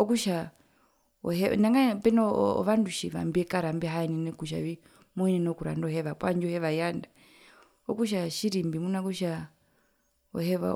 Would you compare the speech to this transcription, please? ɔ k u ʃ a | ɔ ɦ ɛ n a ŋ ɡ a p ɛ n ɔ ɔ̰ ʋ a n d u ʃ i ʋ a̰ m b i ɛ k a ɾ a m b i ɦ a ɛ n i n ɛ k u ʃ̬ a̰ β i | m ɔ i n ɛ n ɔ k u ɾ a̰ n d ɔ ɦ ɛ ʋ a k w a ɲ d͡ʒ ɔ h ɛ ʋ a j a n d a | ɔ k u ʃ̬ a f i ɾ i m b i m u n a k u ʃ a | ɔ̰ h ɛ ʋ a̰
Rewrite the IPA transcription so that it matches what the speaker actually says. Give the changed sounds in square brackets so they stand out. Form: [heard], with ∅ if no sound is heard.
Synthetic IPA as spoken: ɔ k u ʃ a | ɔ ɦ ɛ n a ŋ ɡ a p ɛ n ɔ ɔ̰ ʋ a n d u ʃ i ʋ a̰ m b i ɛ k a ɾ a m b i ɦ a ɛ n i n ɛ k u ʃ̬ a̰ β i | m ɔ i n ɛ n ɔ k u ɾ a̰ n d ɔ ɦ ɛ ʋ a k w a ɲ d͡ʒ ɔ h ɛ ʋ a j a n d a | ɔ k u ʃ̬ a [ʃ] i ɾ i m b i m u n a k u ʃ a | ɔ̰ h ɛ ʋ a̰